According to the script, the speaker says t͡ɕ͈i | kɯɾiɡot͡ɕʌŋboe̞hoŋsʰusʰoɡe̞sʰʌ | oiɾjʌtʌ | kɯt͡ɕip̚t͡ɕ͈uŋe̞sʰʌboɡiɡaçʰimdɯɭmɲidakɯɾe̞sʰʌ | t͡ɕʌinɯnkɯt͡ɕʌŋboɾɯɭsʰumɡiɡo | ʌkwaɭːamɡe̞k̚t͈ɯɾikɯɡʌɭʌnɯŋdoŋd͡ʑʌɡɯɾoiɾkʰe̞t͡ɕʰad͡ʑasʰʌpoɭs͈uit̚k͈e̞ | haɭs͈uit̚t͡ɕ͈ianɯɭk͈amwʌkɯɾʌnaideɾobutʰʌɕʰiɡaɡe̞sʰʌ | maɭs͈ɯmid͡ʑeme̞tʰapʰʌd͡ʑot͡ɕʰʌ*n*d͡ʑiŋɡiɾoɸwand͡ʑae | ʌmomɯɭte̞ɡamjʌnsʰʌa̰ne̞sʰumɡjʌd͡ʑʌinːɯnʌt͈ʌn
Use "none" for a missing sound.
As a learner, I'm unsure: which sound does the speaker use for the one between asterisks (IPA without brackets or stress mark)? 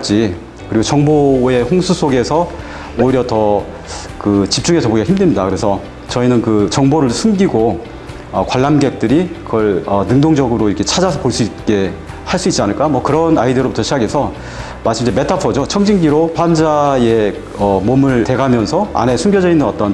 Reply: ŋ